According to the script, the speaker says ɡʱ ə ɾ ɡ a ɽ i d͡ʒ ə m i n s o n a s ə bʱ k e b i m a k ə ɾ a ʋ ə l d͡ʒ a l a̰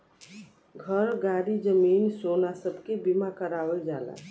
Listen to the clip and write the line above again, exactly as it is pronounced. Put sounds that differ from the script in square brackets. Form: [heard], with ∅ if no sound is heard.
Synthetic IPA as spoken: ɡʱ ə ɾ ɡ a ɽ i d͡ʒ ə m i n s o n a s ə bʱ k e b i m a k ə ɾ a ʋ ə l d͡ʒ a l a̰